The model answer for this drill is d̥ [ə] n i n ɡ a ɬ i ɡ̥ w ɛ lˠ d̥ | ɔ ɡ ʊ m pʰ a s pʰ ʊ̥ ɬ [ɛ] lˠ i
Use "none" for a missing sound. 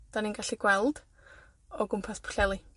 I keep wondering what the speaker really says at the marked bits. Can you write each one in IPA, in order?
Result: a, ɛ

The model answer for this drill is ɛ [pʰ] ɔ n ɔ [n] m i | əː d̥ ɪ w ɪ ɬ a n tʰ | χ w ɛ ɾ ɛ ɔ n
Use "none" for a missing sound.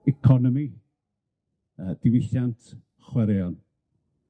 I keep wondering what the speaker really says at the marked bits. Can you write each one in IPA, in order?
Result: kʰ, none

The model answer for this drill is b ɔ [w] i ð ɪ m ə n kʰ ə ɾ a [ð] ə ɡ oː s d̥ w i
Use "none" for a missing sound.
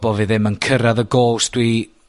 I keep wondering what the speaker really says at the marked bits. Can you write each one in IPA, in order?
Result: v, ð

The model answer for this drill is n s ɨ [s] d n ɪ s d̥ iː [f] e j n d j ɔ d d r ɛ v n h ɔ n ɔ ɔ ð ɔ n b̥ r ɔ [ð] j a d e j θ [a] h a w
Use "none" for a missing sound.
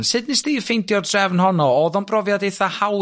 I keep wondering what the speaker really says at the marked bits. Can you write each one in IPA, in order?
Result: none, f, v, a

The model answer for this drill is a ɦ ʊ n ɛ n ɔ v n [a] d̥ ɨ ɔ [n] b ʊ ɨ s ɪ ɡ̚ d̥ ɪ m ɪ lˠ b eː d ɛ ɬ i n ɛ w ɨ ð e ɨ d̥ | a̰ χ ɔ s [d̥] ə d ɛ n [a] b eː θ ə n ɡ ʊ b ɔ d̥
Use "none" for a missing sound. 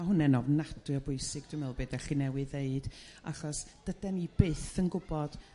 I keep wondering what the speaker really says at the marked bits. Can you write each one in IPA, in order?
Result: a, none, d̥, i

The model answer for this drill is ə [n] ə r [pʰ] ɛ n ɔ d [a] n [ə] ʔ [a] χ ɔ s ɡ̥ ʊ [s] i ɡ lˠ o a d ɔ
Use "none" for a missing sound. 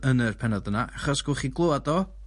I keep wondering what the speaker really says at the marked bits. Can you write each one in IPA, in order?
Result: n, pʰ, ə, a, a, χ

